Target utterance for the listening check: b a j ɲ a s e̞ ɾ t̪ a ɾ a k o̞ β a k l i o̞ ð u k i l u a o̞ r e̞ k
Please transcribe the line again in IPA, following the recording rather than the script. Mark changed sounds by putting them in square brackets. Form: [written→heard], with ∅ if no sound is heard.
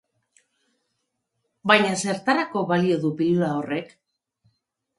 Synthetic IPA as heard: b a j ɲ a s e̞ ɾ t̪ a ɾ a k o̞ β a [k→∅] l i o̞ ð u [k→p] i l u a o̞ r e̞ k